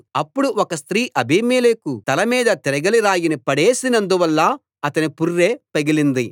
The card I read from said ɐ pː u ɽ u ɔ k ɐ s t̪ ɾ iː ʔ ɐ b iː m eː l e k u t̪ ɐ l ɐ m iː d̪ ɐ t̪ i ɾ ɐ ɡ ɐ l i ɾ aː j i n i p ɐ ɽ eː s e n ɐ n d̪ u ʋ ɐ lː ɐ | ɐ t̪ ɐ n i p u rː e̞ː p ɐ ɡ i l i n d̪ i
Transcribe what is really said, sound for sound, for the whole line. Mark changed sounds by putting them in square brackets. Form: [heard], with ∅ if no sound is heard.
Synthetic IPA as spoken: ɐ pː u ɽ u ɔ k ɐ s t̪ ɾ iː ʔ ɐ b iː m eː l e k u t̪ ɐ l ɐ m iː d̪ ɐ t̪ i ɾ ɐ ɡ ɐ l i ɾ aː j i n i p ɐ ɽ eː s [i] n ɐ n d̪ u ʋ ɐ lː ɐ | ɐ t̪ ɐ n i p u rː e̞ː p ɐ ɡ i l i n d̪ i